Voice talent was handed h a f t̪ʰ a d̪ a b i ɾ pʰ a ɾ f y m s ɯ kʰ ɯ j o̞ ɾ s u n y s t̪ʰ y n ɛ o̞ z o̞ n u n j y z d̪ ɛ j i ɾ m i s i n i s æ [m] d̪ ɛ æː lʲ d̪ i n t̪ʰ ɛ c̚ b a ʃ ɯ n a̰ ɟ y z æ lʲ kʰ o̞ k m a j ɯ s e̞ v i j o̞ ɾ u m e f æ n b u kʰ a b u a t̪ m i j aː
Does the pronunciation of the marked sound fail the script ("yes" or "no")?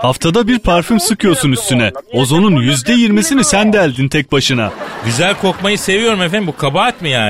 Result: yes